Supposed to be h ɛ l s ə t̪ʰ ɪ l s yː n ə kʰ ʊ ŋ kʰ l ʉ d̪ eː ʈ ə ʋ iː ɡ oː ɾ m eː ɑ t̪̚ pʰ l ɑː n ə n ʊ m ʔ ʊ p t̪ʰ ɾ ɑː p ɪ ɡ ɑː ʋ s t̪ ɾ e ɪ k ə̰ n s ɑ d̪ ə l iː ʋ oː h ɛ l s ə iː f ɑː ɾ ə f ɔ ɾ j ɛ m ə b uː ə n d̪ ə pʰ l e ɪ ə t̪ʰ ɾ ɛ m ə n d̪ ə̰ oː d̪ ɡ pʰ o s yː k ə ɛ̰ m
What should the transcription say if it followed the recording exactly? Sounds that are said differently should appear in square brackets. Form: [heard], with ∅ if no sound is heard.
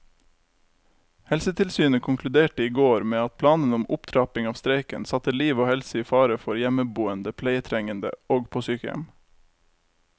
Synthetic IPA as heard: h ɛ l s ə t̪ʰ ɪ l s yː n ə kʰ ʊ ŋ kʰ l ʉ d̪ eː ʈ ə [∅] iː ɡ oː ɾ m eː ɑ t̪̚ pʰ l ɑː n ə n ʊ m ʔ ʊ p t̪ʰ ɾ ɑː p ɪ [ŋ] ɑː ʋ s t̪ ɾ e ɪ k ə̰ n s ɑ [t̪] ə l iː ʋ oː h ɛ l s ə iː f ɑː ɾ ə f ɔ ɾ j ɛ m ə b uː ə n d̪ ə pʰ l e ɪ ə t̪ʰ ɾ ɛ [ŋ] ə n d̪ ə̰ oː [∅] ɡ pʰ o s yː k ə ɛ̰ m

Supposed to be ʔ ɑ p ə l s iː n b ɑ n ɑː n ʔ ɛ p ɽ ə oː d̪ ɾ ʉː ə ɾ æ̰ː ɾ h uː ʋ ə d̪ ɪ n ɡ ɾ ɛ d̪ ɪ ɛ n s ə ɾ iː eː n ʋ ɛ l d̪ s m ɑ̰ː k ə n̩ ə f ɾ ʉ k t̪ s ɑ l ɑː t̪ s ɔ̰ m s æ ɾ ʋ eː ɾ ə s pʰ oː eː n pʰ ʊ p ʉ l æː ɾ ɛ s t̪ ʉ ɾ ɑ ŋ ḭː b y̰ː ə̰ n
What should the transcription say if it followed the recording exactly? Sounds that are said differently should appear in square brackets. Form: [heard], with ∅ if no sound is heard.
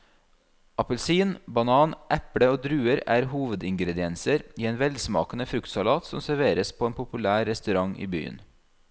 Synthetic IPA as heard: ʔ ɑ p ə l s iː n b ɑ n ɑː n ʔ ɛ p ɽ ə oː d̪ ɾ ʉː ə ɾ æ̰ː ɾ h uː ʋ ə d̪ ɪ [ŋ] ɡ ɾ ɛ d̪ ɪ ɛ n s ə ɾ iː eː n ʋ ɛ l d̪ s m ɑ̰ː k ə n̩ ə f ɾ ʉ k t̪ s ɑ l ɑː t̪ s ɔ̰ m s æ ɾ ʋ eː ɾ ə s pʰ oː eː n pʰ ʊ p ʉ l æː ɾ ɛ s t̪ ʉ ɾ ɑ ŋ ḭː b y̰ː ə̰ n

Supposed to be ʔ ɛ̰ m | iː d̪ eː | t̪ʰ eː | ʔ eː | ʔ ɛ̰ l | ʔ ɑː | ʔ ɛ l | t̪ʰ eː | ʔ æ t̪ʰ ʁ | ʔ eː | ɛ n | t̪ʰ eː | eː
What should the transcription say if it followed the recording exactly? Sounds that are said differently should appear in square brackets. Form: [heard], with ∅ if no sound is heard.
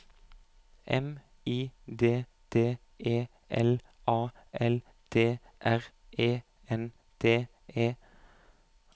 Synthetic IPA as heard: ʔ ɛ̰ m | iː d̪ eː | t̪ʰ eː | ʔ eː | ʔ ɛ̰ l | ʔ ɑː | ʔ ɛ l | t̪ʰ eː | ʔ æ [∅] ʁ | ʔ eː | ɛ n | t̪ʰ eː | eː

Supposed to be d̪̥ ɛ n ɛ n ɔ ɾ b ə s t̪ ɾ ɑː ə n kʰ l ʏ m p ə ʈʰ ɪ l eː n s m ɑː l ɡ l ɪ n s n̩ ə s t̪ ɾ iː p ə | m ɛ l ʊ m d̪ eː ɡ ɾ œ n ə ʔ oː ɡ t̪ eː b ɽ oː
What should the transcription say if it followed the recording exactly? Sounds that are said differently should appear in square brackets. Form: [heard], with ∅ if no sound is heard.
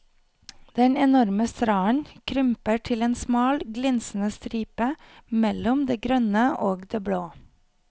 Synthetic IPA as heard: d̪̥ ɛ n ɛ n ɔ ɾ [m] ə s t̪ ɾ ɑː ə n kʰ [ɾ] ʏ m p ə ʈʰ ɪ l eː n s m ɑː l ɡ l ɪ n s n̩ ə s t̪ ɾ iː p ə | m ɛ l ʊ m d̪ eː ɡ ɾ œ n ə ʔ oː ɡ [d̪] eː b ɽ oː

